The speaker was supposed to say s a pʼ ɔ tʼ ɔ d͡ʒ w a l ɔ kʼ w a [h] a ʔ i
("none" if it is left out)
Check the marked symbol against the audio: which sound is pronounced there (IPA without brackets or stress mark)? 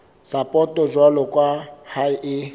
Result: h